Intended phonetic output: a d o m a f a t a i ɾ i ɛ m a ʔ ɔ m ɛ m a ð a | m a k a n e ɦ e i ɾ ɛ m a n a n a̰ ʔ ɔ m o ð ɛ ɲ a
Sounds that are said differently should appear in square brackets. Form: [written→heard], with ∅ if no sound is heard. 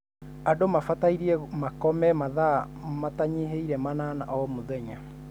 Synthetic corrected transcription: a d o m a f a t a i ɾ i ɛ m a [ʔ→k] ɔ m ɛ m a ð a | m a [k→t] a [n→ɲ] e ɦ e i ɾ ɛ m a n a n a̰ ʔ ɔ m o ð ɛ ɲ a